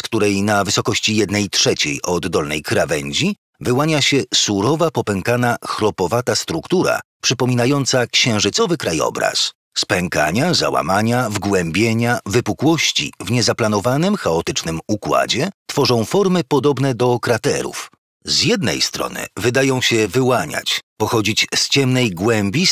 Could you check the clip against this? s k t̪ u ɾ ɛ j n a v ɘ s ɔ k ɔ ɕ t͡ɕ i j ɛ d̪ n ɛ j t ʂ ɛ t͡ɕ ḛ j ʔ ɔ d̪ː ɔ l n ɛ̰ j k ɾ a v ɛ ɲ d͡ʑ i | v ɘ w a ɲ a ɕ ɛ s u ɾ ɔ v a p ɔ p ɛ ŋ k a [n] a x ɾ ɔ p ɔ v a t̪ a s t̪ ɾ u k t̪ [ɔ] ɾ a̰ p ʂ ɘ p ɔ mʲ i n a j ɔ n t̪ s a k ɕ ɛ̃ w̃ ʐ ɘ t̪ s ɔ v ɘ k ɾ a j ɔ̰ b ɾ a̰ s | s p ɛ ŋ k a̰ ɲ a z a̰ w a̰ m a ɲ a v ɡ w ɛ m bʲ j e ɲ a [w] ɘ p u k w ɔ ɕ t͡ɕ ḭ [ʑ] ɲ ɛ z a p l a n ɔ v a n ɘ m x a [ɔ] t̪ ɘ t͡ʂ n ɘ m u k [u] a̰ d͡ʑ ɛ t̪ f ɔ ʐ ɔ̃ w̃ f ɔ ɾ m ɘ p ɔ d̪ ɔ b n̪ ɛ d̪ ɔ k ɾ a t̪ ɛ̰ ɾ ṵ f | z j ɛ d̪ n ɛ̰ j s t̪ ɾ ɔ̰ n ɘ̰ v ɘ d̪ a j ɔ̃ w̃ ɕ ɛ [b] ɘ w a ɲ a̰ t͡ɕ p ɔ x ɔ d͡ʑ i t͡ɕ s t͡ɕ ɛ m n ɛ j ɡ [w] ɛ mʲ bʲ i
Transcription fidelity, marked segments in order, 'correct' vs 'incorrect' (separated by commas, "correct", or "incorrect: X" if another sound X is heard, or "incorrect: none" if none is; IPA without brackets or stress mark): correct, incorrect: u, incorrect: v, incorrect: v, correct, incorrect: w, incorrect: v, correct